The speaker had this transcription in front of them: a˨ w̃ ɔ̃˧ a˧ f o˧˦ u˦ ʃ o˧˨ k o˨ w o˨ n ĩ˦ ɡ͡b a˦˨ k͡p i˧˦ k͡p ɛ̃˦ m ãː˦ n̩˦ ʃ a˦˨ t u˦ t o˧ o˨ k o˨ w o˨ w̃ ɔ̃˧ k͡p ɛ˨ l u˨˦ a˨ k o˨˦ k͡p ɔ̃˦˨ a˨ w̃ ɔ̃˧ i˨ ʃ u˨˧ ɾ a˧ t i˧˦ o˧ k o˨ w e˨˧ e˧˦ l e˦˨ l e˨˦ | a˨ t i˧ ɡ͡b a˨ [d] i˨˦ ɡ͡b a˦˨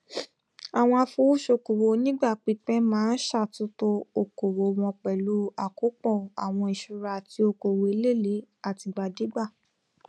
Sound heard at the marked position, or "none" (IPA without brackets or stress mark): d